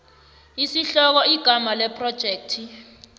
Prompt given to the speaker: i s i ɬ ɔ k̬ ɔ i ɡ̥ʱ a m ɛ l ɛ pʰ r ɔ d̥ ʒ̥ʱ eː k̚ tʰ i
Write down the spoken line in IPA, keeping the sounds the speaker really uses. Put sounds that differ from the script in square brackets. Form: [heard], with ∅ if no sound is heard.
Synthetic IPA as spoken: i s i ɬ ɔ k̬ ɔ i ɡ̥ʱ a m [a] l ɛ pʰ r ɔ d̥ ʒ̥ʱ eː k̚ tʰ i

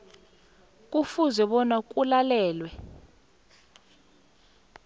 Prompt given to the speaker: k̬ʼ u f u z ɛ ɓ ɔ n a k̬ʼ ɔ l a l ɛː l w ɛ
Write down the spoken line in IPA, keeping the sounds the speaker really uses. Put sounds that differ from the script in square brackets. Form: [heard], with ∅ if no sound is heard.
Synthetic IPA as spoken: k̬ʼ u f u z ɛ ɓ ɔ n a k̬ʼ [u] l a l ɛː l w ɛ

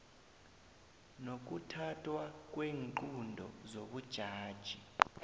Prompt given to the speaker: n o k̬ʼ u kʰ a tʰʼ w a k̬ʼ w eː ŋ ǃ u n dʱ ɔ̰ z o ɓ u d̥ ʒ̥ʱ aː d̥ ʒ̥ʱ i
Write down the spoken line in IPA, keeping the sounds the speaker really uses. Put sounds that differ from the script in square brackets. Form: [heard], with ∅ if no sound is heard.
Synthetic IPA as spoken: n o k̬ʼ u [tʰ] a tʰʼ w a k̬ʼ w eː ŋ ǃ u n dʱ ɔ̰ z o ɓ u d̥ ʒ̥ʱ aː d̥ ʒ̥ʱ i

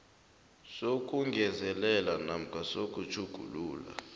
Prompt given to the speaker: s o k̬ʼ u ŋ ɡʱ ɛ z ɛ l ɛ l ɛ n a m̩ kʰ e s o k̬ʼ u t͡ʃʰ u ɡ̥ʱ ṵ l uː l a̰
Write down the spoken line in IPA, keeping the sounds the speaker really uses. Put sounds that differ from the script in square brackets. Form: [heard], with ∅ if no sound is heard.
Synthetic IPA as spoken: s o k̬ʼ u ŋ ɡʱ ɛ z ɛ l ɛ l [a] n a m̩ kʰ [a] s o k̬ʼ u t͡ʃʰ u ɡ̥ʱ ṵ l uː l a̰

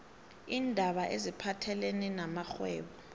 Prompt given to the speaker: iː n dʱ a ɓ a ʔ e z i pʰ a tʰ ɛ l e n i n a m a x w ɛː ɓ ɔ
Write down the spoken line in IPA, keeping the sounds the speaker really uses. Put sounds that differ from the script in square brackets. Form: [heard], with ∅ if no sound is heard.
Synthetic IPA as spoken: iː n dʱ a ɓ a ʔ e z i pʰ a tʰ ɛ l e n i n a m a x w ɛː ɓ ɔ

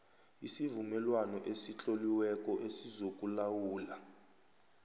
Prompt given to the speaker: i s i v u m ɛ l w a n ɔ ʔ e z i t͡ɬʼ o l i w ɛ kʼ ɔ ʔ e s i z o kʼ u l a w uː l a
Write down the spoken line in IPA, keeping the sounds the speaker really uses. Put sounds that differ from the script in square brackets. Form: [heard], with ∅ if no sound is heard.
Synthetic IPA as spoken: i s i v u m ɛ l w a n ɔ ʔ e [s] i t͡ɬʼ o l i w ɛ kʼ ɔ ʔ e s i z o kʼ u l a w uː l a

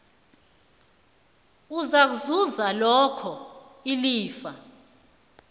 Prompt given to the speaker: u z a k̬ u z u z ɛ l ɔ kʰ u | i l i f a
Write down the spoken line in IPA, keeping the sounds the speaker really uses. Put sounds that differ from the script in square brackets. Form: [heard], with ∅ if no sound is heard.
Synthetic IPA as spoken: u z a k̬ u z u z [a] l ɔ kʰ [ɔ] | i l [iː] f a

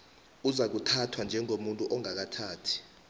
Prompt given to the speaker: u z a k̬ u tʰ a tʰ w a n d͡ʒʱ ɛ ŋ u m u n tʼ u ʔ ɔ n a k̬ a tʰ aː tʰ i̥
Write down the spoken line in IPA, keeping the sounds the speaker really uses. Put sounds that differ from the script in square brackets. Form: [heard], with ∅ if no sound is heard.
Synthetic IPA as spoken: u z a k̬ u tʰ a tʰ w a n d͡ʒʱ ɛ ŋ [o] m u n tʼ u ʔ ɔ [ŋ] a k̬ a tʰ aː tʰ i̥

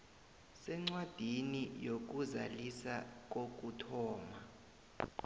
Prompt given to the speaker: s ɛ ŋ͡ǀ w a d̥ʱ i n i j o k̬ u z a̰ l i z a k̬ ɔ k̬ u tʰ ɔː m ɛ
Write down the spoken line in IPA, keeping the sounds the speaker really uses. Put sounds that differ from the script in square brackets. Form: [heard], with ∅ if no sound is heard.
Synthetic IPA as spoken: s ɛ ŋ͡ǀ w a d̥ʱ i n i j o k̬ u z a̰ l i [s] a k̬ [o] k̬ u tʰ ɔː m [a]

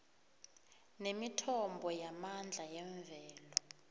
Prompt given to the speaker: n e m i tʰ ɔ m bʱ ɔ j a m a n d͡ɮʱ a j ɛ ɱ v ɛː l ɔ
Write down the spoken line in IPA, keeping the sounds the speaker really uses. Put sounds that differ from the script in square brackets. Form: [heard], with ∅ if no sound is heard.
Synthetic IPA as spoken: n e m i tʰ ɔ m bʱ ɔ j a m a n d͡ɮʱ a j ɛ ɱ v ɛː l ɔ

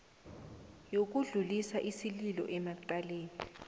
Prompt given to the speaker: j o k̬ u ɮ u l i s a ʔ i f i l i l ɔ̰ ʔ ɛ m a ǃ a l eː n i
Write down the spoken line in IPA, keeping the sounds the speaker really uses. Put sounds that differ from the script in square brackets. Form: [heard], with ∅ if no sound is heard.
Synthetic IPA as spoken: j o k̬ u ɮ u l i s a ʔ i [s] i l i l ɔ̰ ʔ ɛ m a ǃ a l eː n i

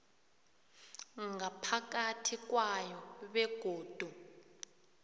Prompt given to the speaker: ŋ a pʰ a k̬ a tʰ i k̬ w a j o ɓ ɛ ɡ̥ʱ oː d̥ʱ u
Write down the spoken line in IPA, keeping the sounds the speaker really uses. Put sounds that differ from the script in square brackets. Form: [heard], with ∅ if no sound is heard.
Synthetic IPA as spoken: ŋ a pʰ a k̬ a tʰ i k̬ w a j [ɔ] ɓ ɛ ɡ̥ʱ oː d̥ʱ u

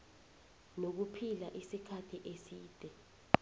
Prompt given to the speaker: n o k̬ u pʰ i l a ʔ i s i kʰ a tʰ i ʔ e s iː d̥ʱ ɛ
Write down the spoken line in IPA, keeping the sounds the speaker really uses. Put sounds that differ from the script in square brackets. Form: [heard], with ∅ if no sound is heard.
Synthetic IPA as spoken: n o k̬ u pʰ i l a ʔ i s i kʰ a tʰ i ʔ e s iː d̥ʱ ɛ

